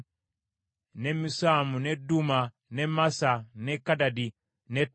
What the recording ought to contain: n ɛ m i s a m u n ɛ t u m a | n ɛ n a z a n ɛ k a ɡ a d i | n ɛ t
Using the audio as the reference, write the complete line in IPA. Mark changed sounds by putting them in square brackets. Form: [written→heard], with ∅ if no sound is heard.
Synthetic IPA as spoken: n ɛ m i s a m u n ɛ [t→d] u m a | n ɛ [n→m] a [z→s] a n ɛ k a [ɡ→d] a d i | n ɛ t